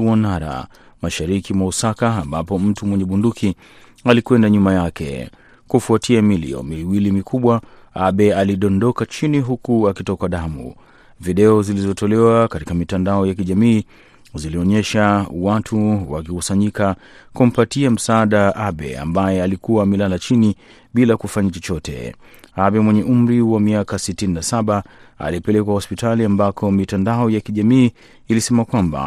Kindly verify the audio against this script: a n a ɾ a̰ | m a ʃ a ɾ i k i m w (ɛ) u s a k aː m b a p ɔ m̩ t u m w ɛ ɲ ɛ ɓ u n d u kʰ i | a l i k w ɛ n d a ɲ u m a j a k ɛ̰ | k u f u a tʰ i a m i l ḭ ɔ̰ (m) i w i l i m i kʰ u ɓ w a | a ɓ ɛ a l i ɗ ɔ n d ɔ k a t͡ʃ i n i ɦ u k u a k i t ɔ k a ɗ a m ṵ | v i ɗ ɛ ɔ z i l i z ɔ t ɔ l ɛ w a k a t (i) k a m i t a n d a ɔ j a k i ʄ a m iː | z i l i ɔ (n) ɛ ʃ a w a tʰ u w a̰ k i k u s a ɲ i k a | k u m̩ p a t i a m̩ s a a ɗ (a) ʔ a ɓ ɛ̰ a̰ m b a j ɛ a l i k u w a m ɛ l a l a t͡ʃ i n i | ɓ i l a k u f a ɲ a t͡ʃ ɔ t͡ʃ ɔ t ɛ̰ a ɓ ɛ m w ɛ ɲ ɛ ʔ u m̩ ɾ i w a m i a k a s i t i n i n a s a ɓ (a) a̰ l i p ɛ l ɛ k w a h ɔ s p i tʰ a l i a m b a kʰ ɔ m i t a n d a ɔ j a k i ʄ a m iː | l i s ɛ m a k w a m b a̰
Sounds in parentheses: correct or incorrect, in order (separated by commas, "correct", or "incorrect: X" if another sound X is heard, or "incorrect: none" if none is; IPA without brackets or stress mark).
incorrect: a, correct, correct, incorrect: ɲ, correct, correct